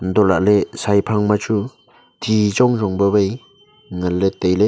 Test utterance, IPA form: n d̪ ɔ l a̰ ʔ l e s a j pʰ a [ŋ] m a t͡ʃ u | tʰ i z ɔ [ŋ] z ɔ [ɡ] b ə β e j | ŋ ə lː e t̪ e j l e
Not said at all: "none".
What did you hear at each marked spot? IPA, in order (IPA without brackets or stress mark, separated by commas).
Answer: ŋ, ŋ, ŋ